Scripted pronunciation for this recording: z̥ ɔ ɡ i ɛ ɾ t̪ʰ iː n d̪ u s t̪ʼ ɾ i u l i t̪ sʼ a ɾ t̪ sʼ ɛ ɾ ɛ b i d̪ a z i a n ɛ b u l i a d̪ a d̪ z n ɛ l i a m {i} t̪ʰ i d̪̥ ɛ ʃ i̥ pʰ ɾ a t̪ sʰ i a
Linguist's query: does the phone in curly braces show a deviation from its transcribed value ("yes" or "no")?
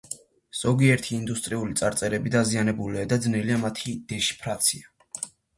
yes